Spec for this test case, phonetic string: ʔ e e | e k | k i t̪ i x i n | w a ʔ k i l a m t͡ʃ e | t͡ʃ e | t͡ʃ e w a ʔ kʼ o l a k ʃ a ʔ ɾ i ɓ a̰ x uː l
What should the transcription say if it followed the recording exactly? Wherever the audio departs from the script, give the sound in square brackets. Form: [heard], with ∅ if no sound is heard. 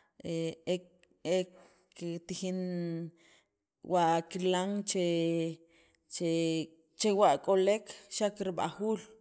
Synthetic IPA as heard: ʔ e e | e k | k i t̪ i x i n | w a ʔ k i l a [ŋ] t͡ʃ e | t͡ʃ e | t͡ʃ e w a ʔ kʼ o l [e] k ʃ a [k] ɾ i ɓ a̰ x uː l